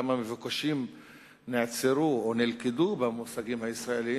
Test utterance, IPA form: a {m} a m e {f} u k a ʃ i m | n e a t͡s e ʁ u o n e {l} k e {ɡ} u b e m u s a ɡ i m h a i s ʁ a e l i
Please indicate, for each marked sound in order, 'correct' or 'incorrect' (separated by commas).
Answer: correct, incorrect, correct, incorrect